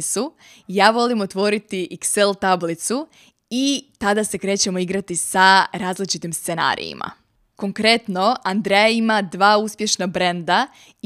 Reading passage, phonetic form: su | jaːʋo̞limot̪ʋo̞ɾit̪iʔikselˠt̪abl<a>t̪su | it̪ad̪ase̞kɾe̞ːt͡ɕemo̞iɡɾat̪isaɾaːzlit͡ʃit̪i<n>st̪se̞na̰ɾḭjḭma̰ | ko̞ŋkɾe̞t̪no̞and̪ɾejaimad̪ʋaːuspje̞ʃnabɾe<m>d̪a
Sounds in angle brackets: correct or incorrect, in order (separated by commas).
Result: incorrect, incorrect, incorrect